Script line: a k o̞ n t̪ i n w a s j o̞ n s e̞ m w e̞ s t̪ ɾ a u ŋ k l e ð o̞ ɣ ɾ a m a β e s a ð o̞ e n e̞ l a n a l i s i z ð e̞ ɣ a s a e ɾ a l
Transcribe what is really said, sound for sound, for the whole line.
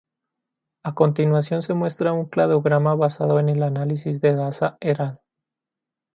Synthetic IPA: a k o̞ n t̪ i n w a s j o̞ n s e̞ m w e̞ s t̪ ɾ a u ŋ k l a ð o̞ ɣ ɾ a m a β a s a ð o̞ e n e̞ l a n a l i s i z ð e̞ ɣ a s a e ɾ a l